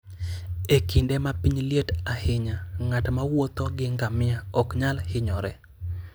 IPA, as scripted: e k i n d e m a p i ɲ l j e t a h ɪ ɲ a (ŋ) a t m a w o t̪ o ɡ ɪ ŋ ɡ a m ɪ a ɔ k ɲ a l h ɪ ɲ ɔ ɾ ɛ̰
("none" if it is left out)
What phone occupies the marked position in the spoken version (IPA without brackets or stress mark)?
ŋ